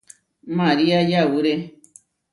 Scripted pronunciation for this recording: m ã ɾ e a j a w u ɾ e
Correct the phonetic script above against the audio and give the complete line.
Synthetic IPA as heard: m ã ɾ i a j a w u ɾ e